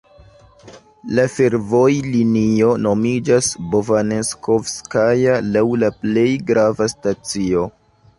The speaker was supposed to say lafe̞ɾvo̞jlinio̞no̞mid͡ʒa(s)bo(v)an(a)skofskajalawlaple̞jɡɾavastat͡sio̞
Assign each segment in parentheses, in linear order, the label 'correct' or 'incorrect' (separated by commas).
correct, correct, incorrect